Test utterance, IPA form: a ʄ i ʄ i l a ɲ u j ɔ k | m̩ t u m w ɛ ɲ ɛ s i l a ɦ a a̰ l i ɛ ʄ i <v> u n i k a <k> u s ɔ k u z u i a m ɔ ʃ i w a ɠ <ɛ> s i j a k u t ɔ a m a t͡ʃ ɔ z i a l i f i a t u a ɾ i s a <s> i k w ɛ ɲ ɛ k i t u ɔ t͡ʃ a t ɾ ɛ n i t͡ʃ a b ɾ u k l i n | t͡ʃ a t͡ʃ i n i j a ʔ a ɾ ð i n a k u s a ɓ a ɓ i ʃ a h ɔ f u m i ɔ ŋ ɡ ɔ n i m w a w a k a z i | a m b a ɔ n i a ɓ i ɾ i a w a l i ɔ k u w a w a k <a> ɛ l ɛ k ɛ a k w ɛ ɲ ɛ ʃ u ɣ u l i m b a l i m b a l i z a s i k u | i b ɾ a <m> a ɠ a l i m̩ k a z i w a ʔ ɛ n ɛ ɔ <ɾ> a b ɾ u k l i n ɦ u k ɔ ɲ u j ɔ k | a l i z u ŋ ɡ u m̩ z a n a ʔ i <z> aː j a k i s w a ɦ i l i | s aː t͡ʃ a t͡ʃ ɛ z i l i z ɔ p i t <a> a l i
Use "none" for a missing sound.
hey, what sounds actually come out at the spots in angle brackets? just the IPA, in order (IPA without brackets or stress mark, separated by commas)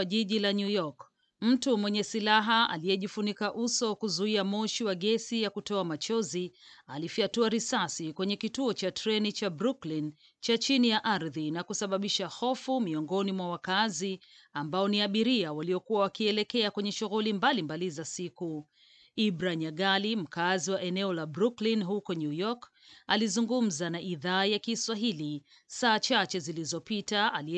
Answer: f, ʔ, ɛ, s, i, ɲ, l, ð, a